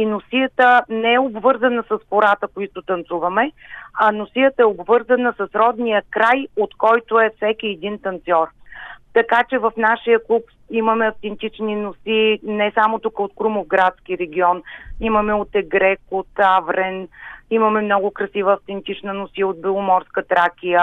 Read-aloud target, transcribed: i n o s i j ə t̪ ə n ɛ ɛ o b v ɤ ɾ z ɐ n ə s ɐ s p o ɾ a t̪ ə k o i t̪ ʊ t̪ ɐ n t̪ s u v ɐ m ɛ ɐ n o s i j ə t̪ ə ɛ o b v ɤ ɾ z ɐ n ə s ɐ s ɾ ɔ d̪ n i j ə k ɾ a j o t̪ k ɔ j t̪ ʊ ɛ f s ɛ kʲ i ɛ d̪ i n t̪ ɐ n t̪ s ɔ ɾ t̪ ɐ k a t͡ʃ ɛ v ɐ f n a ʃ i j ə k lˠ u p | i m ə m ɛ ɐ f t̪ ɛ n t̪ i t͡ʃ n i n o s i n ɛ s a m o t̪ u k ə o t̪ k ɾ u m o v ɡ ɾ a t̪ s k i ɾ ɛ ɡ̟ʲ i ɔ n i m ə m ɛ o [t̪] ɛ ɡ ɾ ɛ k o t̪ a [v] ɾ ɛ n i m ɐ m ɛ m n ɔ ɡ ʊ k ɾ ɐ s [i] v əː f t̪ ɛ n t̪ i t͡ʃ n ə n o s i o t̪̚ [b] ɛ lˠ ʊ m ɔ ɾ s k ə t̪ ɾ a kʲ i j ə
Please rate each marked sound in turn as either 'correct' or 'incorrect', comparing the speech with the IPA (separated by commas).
correct, correct, correct, correct